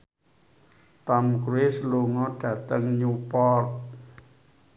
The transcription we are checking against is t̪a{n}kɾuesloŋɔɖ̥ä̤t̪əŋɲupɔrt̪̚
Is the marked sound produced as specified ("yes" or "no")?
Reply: no